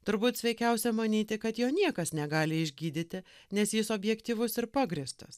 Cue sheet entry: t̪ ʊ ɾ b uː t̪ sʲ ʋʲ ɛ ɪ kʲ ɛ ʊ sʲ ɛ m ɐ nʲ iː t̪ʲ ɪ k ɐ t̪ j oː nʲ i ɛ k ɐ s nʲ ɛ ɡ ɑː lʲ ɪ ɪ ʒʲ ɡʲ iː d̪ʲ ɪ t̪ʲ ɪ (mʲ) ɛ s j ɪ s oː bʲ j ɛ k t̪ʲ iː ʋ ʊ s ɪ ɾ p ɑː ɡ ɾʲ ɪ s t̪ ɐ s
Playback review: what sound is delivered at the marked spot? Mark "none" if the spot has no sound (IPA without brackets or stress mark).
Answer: nʲ